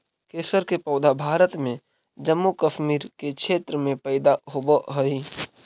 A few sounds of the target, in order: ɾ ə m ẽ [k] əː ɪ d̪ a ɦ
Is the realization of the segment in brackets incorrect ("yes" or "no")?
yes